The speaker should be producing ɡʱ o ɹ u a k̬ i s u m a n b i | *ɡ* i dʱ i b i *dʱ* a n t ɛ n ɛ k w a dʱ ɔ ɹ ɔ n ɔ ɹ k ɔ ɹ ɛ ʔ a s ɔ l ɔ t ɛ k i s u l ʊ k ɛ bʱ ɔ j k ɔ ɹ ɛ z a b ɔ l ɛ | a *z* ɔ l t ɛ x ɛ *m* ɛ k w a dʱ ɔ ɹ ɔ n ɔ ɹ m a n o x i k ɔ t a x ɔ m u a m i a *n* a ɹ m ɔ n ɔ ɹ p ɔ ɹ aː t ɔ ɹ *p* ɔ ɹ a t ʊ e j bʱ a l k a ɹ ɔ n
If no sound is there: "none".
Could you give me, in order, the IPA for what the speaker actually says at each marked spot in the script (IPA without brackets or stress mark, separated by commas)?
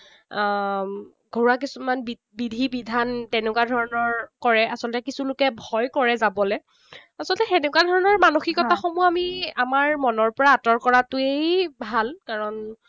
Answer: b, dʱ, s, n, m, k